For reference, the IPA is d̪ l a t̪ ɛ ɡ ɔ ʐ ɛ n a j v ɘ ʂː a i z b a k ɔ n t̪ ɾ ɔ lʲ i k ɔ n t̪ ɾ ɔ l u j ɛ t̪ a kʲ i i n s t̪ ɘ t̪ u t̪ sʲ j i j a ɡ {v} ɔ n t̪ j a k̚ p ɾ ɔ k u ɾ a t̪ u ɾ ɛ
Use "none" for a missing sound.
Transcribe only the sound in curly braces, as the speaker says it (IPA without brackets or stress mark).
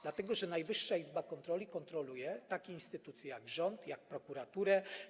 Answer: ʐ